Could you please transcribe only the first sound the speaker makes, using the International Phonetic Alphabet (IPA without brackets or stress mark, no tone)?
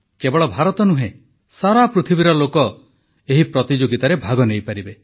k